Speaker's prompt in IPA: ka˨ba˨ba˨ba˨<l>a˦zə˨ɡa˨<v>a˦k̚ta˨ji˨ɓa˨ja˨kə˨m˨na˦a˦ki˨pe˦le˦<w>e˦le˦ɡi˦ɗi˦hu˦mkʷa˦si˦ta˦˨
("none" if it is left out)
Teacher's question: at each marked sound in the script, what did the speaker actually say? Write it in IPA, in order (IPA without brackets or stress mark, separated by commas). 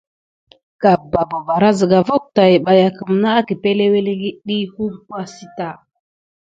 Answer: ɾ, v, w